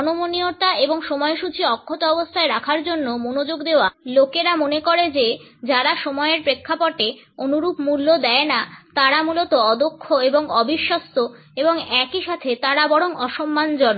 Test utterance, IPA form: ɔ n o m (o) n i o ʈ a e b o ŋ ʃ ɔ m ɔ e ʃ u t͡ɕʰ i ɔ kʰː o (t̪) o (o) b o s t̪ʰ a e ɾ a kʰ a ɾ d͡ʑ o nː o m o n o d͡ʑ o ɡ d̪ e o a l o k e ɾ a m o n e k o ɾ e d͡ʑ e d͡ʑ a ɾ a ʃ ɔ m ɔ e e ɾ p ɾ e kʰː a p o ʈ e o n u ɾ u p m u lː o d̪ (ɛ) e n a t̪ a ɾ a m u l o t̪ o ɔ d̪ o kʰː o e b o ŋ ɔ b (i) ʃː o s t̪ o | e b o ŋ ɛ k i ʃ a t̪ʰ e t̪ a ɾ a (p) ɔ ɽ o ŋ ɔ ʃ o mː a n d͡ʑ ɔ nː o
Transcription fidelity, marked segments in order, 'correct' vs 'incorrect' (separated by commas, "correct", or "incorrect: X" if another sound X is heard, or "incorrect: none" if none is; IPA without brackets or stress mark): correct, correct, incorrect: ɔ, correct, correct, incorrect: b